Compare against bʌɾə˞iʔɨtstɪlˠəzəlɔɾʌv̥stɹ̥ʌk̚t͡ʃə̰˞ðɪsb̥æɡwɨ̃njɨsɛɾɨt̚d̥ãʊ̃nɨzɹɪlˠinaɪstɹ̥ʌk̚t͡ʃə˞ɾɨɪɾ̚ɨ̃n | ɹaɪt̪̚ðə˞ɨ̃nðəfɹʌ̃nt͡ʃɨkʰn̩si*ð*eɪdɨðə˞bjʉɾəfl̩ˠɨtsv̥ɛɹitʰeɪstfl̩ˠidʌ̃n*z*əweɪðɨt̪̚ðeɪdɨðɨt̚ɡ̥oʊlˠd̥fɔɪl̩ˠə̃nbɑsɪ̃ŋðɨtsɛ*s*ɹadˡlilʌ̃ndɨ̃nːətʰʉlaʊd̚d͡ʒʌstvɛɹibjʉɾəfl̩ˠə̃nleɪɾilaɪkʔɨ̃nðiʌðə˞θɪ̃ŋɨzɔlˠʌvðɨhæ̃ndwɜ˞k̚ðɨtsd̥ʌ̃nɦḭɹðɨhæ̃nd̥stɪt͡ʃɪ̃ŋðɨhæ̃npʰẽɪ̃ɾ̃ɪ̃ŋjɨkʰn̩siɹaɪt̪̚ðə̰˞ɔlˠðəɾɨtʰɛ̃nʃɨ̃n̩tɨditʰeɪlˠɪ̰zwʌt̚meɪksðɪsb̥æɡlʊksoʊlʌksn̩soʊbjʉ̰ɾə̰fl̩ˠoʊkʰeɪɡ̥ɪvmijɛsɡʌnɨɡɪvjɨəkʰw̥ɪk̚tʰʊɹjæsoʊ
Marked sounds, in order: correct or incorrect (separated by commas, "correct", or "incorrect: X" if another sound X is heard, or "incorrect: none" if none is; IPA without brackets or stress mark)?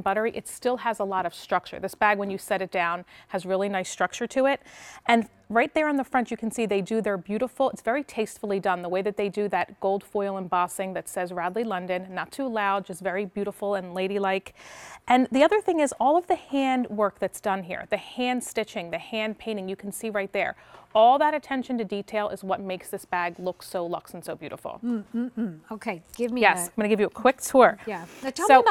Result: correct, incorrect: ð, incorrect: z